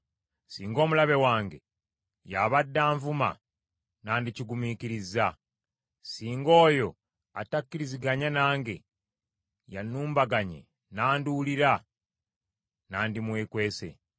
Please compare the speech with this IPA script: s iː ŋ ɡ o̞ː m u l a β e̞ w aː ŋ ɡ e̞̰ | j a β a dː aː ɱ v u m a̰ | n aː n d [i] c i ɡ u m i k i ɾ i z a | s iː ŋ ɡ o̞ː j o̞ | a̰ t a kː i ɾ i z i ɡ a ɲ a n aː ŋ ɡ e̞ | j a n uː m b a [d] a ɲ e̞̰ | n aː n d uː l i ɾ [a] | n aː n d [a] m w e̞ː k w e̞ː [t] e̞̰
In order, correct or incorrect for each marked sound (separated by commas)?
correct, incorrect, correct, incorrect, incorrect